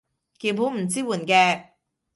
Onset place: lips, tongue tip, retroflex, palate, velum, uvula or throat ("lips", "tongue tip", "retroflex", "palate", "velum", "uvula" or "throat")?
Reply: velum